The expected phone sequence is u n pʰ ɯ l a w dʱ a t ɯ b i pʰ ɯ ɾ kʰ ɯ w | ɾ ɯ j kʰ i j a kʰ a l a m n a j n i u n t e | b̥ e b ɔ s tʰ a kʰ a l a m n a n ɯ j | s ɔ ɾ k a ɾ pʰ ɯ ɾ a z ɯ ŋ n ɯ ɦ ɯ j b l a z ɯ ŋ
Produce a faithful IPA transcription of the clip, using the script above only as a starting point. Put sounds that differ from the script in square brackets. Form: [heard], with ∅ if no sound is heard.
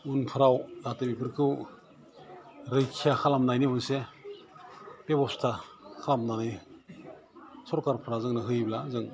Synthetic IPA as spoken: u n pʰ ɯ [ɾ] a w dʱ a t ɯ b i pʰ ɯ ɾ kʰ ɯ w | ɾ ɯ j kʰ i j a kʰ a l a m n a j n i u n [s] e | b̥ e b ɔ s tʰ a kʰ a l a m n a n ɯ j | s ɔ ɾ k a ɾ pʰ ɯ ɾ a z ɯ ŋ n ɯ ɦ ɯ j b l a z ɯ ŋ

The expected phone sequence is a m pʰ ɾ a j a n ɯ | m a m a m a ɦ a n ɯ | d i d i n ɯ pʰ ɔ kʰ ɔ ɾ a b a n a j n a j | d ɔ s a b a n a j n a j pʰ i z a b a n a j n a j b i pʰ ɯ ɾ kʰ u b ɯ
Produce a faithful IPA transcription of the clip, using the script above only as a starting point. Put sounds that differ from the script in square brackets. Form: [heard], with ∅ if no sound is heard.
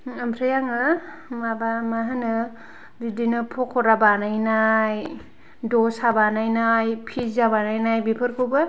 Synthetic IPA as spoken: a m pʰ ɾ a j a [ŋ] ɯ | m a [b] a m a ɦ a n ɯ | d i d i n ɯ pʰ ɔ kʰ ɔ ɾ a b a n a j n a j | d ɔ s a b a n a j n a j pʰ i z a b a n a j n a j b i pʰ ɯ ɾ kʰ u b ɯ

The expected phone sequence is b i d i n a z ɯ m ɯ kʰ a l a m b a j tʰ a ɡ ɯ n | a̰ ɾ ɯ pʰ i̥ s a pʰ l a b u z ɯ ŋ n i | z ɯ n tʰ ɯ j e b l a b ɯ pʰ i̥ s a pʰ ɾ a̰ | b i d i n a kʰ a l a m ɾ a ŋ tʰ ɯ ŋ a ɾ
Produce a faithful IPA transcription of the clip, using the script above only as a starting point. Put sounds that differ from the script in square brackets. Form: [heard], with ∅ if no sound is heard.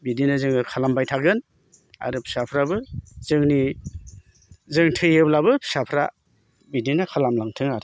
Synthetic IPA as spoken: b i d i n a z ɯ [ŋ] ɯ kʰ a l a m b a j tʰ a ɡ ɯ n | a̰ ɾ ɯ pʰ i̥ s a pʰ [ɾ] a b [ɯ] z ɯ ŋ n i | z ɯ [ŋ] tʰ ɯ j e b l a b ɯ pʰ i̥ s a pʰ ɾ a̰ | b i d i n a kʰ a l a m [l] a ŋ tʰ ɯ ŋ a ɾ

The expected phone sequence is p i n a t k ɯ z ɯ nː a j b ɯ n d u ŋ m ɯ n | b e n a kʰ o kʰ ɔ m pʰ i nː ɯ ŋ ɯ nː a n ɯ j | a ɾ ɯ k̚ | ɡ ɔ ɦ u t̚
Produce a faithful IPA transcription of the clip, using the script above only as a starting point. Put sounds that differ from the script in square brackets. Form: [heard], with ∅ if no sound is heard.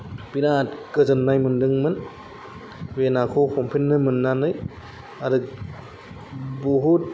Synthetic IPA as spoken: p i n a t k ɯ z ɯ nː a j [m] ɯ n d [ɯ] ŋ m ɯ n | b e n a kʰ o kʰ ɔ m pʰ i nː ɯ [m] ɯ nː a n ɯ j | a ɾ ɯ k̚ | [b] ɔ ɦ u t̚

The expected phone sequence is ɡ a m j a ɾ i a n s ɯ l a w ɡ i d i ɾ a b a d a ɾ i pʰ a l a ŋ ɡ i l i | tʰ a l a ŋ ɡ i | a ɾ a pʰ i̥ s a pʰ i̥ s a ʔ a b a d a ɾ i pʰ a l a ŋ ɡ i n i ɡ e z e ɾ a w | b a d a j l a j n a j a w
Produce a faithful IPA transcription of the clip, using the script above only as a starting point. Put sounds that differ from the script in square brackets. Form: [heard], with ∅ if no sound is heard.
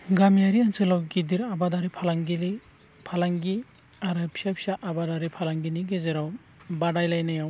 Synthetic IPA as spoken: ɡ a m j a ɾ i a n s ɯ l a w ɡ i d i ɾ a b a d a ɾ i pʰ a l a ŋ ɡ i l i | [pʰ] a l a ŋ ɡ i | a ɾ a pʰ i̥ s a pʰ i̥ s a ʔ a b a d a ɾ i pʰ a l a ŋ ɡ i n i ɡ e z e ɾ a w | b a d a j l a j n a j a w

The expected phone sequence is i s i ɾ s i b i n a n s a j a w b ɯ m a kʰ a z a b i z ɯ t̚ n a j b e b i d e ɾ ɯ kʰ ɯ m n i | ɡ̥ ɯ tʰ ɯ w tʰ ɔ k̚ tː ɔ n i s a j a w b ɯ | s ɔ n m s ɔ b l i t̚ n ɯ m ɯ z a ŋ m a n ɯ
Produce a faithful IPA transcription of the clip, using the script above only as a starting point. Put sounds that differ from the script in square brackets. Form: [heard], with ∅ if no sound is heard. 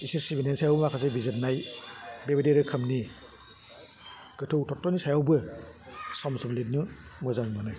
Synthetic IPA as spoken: i s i ɾ s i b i n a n s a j a w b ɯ m a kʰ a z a b i z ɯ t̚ n a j b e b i d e ɾ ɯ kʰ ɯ m n i | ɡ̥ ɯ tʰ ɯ w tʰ ɔ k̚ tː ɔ n i s a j a w b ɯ | s ɔ [∅] m s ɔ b l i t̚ n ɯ m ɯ z a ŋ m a n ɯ

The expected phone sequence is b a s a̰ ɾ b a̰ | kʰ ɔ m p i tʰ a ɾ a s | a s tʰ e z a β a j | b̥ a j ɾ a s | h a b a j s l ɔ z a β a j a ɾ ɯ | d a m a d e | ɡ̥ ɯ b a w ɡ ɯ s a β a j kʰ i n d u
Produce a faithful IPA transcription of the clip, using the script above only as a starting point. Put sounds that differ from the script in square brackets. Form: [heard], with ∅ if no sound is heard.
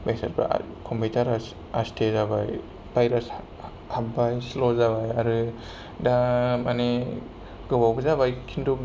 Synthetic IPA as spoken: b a s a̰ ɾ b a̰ | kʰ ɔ m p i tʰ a ɾ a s | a s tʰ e z a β a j | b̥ a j ɾ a s | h a b a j s l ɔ z a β a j a ɾ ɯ | d a m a [n] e | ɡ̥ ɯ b a w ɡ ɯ [z] a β a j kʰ i n d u

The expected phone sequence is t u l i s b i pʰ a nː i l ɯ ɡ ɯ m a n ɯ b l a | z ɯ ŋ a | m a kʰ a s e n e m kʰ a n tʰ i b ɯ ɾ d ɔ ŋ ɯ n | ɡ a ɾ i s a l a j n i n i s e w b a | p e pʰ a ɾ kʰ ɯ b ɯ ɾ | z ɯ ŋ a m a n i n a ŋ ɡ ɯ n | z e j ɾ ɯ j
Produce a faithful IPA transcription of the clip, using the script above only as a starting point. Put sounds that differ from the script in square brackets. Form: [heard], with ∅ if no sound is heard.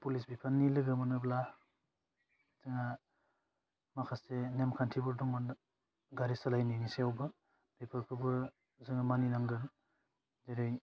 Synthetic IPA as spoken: [p] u l i s b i pʰ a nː i l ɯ ɡ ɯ m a n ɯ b l a | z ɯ ŋ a | m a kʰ a s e n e m kʰ a n tʰ i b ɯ ɾ d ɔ ŋ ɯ n | ɡ a ɾ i s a l a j n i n i s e w b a | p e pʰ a ɾ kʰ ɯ b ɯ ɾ | z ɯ ŋ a m a n i n a ŋ ɡ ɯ n | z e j ɾ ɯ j

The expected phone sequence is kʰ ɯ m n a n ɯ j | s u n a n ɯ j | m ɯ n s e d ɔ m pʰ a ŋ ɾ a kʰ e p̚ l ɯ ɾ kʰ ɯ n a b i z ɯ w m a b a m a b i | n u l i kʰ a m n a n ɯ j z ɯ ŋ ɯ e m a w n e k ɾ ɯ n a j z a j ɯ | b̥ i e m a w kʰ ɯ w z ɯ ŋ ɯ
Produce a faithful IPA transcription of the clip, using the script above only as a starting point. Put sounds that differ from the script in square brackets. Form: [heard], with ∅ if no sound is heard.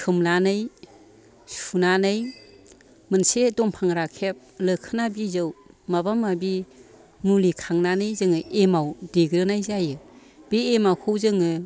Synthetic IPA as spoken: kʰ ɯ m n a n ɯ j | s u n a n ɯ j | m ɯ n s e d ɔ m pʰ a ŋ ɾ a kʰ e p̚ l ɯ [∅] kʰ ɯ n a b i z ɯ w m a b a m a b i | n u l i kʰ a [ŋ] n a n ɯ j z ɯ ŋ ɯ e m a w [d] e [ɡ] ɾ ɯ n a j z a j ɯ | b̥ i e m a w kʰ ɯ w z ɯ ŋ ɯ

